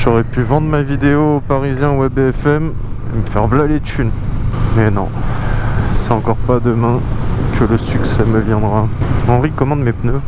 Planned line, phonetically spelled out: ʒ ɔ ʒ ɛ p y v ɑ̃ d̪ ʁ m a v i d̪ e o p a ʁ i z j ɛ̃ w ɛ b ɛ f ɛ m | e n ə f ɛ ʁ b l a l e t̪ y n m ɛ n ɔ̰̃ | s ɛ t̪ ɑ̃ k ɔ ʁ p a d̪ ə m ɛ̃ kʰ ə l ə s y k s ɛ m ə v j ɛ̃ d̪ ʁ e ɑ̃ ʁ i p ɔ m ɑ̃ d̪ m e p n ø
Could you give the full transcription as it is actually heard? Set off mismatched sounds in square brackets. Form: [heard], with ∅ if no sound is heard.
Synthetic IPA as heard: ʒ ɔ [ʁ] ɛ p y v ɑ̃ d̪ ʁ m a v i d̪ e o p a ʁ i z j ɛ̃ w ɛ b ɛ f ɛ m | e [m] ə f ɛ ʁ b l a l e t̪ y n m ɛ n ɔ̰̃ | s ɛ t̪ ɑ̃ k ɔ ʁ p a d̪ ə m ɛ̃ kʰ ə l ə s y k s ɛ m ə v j ɛ̃ d̪ ʁ [a] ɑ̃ ʁ i [k] ɔ m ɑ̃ d̪ m e p n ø

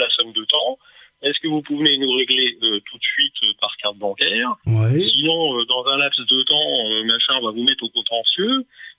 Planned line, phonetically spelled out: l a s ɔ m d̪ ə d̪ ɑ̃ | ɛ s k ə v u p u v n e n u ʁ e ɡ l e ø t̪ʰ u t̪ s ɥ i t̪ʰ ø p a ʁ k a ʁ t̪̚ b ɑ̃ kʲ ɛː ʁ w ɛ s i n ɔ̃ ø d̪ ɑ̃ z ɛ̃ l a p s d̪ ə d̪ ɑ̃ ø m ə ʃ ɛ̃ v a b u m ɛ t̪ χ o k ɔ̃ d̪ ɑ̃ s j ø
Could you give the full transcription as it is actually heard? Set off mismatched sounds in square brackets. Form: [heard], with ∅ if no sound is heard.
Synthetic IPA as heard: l a s ɔ m d̪ ə [t̪] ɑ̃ | ɛ s k ə v u p u v n e n u ʁ e ɡ l e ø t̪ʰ u t̪ s ɥ i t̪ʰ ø p a ʁ k a ʁ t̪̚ b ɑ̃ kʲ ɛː ʁ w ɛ s i n ɔ̃ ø d̪ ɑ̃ z ɛ̃ l a p s d̪ ə [t̪] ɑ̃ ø m [a] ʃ ɛ̃ v a [v] u m ɛ t̪ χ o k ɔ̃ [t̪] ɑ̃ s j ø

